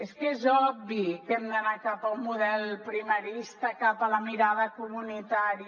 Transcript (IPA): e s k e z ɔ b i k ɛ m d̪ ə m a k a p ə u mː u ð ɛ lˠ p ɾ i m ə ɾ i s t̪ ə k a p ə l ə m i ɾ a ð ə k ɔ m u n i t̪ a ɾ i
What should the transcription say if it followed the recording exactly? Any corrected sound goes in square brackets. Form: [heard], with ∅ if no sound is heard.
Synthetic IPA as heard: e s k e z ɔ b i k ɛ m d̪ ə [n] a k a p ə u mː u ð ɛ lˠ p ɾ i m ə ɾ i s t̪ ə k a p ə l ə m i ɾ a ð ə k [u] m u n i t̪ a ɾ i